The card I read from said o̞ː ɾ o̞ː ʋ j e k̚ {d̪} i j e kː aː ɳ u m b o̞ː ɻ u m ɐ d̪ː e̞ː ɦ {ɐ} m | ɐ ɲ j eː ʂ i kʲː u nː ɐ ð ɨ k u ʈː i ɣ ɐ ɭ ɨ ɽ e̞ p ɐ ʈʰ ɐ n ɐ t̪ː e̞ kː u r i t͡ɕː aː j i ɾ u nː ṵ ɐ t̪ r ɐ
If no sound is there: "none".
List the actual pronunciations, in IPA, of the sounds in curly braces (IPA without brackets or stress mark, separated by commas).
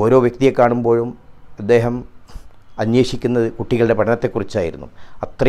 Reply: t̪, ɐ